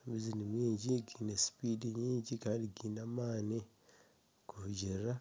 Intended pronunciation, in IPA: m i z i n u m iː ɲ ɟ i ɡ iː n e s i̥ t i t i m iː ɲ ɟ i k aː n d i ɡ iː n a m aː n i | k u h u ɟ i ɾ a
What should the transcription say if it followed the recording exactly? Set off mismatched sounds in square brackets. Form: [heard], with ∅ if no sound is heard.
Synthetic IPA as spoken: m i z i n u m iː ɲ ɟ i ɡ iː n e s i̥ [p] i [d] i [ɲ] iː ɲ ɟ i k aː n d i ɡ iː n a m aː n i | k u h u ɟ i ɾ a

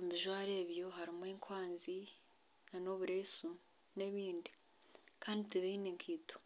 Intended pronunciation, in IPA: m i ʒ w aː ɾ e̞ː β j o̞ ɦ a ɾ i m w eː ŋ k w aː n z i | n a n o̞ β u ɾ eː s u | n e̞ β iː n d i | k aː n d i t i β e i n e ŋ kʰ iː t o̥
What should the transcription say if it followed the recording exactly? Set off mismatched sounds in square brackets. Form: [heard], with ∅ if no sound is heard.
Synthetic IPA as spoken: m i ʒ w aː ɾ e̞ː β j o̞ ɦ a ɾ i m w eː ŋ k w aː n z i | n a n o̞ β u ɾ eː s u | n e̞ β iː n d i | k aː n d i t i β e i n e ŋ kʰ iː t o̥

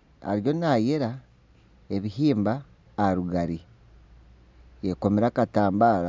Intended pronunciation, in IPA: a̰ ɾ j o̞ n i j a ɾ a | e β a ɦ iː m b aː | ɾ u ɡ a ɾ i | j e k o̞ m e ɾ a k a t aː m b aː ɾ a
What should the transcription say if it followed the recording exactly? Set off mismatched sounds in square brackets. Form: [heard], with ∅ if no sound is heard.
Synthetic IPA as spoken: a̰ ɾ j o̞ n [a] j [e] ɾ a | e β [i] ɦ iː m b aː | ɾ u ɡ a ɾ i | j e k o̞ m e ɾ a k a t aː m b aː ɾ a

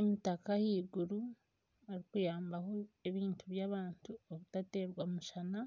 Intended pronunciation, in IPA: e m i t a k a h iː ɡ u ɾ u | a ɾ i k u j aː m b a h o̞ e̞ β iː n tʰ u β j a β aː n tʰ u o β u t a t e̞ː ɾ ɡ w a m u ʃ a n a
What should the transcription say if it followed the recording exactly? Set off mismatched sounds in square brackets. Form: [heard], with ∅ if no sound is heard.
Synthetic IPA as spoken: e m i t a k a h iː ɡ u ɾ u | a ɾ i k u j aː m b a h o̞ e̞ β iː n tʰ u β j a β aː n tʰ u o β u t a t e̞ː ɾ ɡ w a m u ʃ a n a

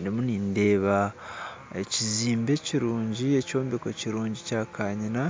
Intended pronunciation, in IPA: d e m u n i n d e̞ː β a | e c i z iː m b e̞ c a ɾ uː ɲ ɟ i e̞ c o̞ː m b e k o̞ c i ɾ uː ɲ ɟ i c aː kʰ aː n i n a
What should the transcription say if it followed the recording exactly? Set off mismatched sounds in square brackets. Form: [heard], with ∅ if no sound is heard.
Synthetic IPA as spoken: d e m u n i n d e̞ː β a | e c i z iː m b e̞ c [i] ɾ uː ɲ ɟ i e̞ c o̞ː m b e k o̞ c i ɾ uː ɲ ɟ i c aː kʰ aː [ɲ] i n a

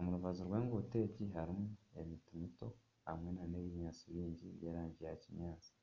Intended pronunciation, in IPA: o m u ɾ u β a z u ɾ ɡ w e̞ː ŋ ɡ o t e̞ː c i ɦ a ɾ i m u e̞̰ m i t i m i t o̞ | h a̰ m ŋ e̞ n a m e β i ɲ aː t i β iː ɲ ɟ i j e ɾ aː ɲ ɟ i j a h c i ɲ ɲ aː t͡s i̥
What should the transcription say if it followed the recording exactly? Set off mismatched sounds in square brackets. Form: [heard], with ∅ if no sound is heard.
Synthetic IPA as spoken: o m u ɾ u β a z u ɾ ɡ w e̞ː ŋ ɡ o t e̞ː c i ɦ a ɾ i m u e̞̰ m i t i m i t o̞ | h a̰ m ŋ e̞ n a [n] e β i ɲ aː [t͡s] i β iː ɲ ɟ i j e ɾ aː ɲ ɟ i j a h c i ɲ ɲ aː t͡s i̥

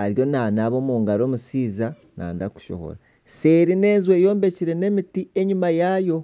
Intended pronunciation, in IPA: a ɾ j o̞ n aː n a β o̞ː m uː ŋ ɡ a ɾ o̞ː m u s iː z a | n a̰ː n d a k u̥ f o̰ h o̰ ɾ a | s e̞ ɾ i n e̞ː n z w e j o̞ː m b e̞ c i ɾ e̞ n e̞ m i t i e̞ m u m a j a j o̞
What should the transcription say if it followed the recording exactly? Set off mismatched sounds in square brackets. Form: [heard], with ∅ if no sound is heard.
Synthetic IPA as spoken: a ɾ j o̞ n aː n a β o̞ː m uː ŋ ɡ a ɾ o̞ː m u s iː z a | n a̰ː n d a k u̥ [ʃ] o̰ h o̰ ɾ a | s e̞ ɾ i n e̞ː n z w e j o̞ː m b e̞ c i ɾ e̞ n e̞ m i t i e̞ [ɲ] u m a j a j o̞

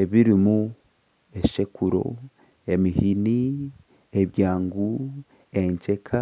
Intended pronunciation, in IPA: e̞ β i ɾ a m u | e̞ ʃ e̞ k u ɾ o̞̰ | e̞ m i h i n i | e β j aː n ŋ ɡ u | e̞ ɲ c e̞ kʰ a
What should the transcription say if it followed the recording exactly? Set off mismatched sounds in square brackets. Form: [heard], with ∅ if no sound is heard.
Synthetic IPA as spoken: e̞ β i ɾ [i] m u | e̞ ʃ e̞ k u ɾ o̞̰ | e̞ m i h i n i | e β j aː [∅] ŋ ɡ u | e̞ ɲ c e̞ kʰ a

